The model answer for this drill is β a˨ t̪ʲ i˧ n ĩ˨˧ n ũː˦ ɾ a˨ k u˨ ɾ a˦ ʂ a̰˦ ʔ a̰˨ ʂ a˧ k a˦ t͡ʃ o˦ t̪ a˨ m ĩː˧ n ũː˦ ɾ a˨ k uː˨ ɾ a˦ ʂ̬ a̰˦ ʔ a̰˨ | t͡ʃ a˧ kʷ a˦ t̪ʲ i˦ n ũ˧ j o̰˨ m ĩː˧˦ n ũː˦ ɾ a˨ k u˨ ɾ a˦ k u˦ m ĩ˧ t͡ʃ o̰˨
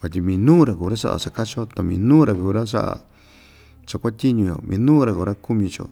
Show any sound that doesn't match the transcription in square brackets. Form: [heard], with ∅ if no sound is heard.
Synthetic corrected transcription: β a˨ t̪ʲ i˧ [m] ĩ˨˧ n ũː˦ ɾ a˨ k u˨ ɾ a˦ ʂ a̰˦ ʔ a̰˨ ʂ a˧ k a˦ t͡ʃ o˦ t̪ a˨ m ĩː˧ n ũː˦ ɾ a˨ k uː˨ ɾ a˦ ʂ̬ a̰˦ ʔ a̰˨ | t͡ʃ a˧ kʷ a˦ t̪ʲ i˦ [ɲ] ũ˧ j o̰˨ m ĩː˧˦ n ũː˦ ɾ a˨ k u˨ ɾ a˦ k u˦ m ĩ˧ t͡ʃ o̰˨

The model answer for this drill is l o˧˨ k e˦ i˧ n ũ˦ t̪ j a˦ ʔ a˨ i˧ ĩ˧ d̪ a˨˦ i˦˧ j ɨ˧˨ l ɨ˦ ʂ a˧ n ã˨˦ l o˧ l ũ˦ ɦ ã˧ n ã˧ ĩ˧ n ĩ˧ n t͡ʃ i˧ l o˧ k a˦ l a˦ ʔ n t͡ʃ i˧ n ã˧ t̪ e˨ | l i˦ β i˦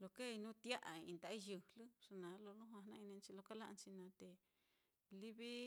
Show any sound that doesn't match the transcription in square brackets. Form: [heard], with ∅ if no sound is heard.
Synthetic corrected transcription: l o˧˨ k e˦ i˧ n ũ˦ t̪ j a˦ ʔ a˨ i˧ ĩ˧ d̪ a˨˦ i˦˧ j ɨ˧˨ l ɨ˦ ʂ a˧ n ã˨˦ l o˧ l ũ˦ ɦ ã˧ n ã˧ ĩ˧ n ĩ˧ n t͡ʃ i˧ l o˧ k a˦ l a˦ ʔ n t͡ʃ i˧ n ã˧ t̪ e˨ | l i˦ β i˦

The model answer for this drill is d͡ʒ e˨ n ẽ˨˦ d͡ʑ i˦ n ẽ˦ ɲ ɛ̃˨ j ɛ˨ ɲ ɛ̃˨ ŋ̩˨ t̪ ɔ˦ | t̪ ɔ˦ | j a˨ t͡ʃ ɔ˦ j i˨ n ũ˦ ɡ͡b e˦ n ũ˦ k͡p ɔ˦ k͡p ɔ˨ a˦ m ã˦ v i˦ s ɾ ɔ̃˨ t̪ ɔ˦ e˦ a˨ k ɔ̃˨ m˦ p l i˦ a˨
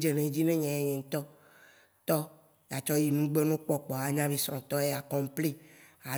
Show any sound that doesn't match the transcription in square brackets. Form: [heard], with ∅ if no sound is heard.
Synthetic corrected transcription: d͡ʒ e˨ n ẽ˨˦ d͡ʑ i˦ n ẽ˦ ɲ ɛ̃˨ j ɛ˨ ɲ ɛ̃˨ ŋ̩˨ t̪ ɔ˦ | t̪ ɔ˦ | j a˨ t͡ʃ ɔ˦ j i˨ n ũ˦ ɡ͡b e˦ n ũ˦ k͡p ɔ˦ k͡p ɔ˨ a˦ [ɲ] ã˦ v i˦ s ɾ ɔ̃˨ t̪ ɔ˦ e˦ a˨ k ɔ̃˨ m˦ p l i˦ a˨

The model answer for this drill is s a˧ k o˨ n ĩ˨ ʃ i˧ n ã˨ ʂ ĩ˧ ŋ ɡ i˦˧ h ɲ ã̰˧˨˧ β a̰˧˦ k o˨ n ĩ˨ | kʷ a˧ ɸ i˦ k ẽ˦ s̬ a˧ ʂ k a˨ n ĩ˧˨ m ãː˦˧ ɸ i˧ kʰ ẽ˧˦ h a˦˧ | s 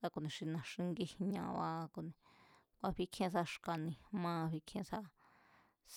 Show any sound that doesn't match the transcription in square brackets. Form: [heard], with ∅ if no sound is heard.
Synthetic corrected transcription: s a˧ k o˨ n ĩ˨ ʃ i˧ n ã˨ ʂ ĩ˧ ŋ ɡ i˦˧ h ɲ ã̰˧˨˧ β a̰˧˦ k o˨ n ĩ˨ | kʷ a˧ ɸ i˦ [kʰ] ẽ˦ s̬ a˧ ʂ k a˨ n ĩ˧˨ m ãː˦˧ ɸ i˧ kʰ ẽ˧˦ [s] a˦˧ | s

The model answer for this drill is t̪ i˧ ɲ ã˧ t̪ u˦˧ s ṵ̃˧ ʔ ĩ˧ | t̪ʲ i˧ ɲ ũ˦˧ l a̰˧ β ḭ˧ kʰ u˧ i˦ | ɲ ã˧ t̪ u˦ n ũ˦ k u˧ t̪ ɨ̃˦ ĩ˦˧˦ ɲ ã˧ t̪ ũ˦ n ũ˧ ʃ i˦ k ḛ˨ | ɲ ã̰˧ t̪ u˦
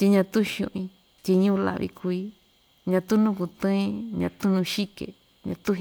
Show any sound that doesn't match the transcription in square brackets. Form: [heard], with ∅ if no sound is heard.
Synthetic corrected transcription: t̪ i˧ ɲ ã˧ t̪ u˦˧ [ʃ] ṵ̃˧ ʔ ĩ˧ | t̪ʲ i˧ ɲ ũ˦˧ l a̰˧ β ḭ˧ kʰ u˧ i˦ | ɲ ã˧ t̪ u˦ n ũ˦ k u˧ t̪ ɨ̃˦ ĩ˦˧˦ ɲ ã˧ t̪ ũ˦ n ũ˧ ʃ i˦ k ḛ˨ | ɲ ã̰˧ t̪ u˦

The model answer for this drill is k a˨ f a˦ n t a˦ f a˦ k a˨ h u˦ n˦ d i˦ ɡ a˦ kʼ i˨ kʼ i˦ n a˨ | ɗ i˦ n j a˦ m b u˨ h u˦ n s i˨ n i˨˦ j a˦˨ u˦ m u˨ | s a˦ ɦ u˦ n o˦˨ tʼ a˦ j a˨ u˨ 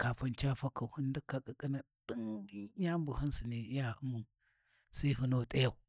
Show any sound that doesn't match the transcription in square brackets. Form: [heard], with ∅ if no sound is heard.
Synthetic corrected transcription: k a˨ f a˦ n [t͡ʃ] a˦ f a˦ k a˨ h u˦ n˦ d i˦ [k] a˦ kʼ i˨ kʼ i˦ n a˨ | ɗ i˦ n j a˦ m b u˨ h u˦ n s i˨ n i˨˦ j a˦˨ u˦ m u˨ | s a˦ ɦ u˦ n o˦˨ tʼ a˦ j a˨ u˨

